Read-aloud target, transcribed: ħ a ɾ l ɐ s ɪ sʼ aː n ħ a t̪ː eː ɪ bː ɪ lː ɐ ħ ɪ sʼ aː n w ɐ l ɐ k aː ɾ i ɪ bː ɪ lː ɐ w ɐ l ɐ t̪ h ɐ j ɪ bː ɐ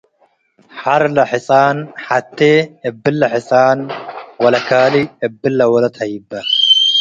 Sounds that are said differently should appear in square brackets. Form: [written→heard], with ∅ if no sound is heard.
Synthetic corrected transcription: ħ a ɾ l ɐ [s→ħ] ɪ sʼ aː n ħ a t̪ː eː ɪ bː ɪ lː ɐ ħ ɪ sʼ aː n w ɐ l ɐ k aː [ɾ→l] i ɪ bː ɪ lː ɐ w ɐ l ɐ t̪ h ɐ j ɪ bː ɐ